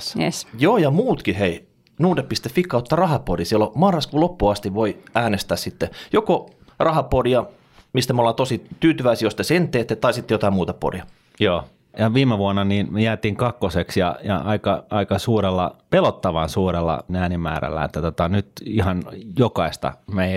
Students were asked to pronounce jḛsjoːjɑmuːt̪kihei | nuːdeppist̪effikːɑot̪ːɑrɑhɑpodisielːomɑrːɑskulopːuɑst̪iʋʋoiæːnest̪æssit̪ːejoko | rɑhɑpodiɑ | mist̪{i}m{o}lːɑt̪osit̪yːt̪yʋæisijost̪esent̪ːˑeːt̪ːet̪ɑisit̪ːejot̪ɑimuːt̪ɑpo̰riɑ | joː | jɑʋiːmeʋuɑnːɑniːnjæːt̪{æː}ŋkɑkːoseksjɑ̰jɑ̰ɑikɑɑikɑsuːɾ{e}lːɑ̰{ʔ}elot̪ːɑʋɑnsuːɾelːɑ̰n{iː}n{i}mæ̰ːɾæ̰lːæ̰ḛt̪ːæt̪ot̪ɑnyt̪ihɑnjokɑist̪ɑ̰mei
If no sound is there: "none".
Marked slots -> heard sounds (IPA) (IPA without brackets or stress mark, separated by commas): æ, o, iː, e, p, æː, i